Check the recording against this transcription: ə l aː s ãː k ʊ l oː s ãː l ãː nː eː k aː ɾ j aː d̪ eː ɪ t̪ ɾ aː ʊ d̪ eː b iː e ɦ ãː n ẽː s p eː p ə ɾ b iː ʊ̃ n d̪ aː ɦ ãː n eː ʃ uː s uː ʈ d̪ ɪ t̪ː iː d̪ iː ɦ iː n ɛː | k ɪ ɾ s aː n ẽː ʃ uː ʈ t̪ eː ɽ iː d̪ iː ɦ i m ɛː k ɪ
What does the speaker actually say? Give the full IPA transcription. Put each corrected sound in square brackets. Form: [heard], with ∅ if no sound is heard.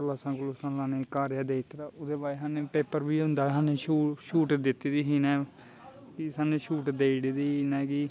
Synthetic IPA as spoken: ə l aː s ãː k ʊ l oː s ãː l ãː [n] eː k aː ɾ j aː d̪ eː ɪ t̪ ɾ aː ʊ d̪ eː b [aː] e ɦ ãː n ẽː [∅] p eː p ə ɾ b iː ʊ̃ n d̪ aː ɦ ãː n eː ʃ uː [ʃ] uː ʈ d̪ ɪ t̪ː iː d̪ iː ɦ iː n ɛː | k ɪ [∅] s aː n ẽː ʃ uː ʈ [d̪] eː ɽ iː d̪ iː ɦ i [n] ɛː k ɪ